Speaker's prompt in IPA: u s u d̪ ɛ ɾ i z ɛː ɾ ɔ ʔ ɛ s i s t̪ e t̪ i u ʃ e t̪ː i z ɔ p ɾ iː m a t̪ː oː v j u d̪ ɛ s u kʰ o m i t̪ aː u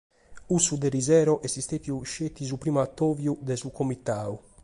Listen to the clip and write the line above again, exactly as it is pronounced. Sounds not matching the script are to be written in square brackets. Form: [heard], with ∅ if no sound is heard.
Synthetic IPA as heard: u s u d̪ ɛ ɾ i z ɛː ɾ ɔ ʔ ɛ s i s t̪ e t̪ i u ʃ e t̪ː i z [u] p ɾ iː m a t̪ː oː v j u d̪ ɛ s u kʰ o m i t̪ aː u